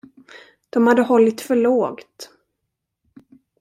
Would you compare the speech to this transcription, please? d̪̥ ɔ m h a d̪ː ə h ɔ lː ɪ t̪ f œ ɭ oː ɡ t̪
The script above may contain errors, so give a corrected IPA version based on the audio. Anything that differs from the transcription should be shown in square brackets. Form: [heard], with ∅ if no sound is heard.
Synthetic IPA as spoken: d̪̥ ɔ m h a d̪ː ə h ɔ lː ɪ t̪ f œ ɭ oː ɡ t̪